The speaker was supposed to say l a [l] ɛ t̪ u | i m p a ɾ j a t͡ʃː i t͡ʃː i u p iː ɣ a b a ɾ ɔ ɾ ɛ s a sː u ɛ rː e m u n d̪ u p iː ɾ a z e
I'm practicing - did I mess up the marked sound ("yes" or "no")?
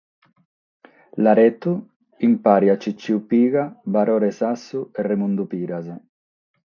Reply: yes